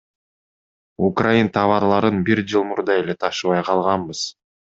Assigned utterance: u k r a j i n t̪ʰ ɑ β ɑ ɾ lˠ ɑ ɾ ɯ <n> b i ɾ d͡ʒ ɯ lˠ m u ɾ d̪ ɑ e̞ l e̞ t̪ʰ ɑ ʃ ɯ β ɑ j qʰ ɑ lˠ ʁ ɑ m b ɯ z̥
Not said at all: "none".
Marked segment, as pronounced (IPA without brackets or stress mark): n